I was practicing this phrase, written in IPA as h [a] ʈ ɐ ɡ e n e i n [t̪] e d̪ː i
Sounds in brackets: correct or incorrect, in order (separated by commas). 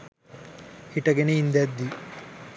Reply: incorrect, incorrect